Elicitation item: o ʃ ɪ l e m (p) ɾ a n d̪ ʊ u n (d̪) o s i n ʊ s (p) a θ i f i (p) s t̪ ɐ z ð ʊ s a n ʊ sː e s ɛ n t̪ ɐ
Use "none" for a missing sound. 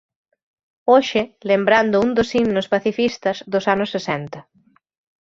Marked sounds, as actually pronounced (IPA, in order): b, d̪, p, none

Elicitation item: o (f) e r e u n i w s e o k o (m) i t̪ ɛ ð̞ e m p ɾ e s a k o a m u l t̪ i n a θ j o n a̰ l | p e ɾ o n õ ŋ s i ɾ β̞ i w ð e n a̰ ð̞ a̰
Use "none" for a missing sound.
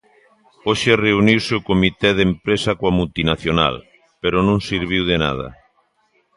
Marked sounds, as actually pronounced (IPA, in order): ʃ, m

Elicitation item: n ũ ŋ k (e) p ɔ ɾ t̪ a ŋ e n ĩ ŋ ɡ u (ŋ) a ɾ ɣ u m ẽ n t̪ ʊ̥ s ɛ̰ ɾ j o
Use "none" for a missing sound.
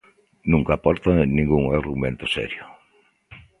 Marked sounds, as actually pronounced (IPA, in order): a, ŋ

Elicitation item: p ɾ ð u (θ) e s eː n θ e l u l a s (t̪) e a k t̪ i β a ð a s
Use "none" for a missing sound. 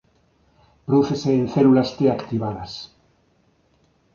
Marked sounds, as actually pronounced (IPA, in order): θ, t̪

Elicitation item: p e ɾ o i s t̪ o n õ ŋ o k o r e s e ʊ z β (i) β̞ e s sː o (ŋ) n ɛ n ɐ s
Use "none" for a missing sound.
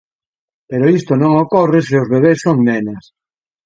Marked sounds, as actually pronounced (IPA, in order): e, ŋ

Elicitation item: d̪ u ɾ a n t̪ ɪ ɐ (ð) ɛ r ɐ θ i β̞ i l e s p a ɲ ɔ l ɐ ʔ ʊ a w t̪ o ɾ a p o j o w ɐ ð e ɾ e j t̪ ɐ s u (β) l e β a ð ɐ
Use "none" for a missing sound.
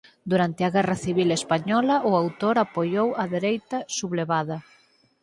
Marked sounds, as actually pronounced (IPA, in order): ɣ, β

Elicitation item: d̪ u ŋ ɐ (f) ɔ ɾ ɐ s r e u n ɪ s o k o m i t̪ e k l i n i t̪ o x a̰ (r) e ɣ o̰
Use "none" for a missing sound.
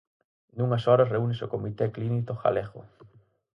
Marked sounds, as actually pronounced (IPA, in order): s, l

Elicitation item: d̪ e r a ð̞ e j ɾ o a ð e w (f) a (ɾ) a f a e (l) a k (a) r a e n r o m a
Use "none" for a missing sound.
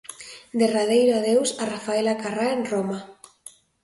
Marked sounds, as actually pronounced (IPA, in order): s, r, l, a

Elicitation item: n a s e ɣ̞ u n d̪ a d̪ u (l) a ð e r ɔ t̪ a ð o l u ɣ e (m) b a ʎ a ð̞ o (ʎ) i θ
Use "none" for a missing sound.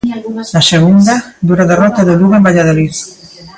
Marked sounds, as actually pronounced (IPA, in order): ɾ, m, l

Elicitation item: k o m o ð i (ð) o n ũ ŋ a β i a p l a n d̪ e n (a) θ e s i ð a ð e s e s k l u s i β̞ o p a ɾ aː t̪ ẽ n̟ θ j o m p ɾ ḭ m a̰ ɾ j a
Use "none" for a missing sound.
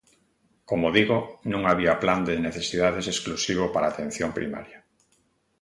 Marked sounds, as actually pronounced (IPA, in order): ɣ, e

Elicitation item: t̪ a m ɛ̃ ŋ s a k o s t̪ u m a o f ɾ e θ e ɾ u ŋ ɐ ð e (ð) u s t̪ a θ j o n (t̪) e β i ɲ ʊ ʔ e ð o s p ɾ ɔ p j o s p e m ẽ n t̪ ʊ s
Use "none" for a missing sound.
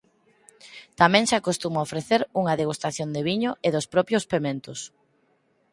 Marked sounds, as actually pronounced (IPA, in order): ɣ, d̪

